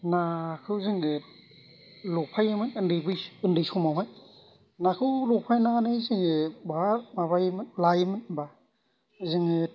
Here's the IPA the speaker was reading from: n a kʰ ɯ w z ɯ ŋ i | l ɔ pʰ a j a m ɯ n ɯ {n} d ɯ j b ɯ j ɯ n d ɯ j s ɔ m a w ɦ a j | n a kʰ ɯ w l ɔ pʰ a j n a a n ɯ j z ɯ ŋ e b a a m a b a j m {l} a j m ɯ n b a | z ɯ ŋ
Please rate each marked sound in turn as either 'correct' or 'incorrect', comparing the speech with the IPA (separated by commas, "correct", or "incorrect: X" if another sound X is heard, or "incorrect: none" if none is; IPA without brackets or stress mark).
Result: correct, correct